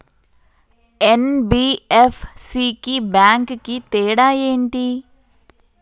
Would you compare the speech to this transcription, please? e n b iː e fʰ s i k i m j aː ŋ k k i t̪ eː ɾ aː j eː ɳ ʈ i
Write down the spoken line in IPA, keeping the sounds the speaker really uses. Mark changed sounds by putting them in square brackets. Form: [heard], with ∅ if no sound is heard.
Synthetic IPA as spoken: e n b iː e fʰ s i k i [b] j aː ŋ k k i t̪ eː [ɽ] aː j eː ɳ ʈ i